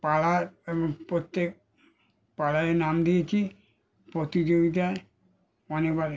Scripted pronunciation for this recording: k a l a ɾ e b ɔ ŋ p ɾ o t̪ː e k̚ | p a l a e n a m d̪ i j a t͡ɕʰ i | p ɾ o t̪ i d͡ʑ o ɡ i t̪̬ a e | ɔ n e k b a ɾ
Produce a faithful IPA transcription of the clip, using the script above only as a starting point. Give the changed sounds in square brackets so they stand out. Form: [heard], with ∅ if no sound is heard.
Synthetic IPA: [p] a l a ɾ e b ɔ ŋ p ɾ o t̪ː e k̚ | p a l a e n a m d̪ i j [e] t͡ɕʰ i | p ɾ o t̪ i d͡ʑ o ɡ i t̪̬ a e | ɔ n e k b a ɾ